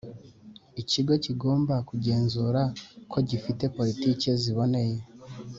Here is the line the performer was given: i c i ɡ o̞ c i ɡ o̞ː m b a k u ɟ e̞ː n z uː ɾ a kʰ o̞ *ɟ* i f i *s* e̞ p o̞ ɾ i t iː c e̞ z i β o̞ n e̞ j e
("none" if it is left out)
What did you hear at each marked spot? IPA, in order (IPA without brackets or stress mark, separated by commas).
ɟ, t